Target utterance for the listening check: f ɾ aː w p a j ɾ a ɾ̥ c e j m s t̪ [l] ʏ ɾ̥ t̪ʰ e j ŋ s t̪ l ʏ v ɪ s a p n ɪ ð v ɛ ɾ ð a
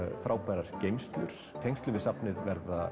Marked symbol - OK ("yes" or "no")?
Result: yes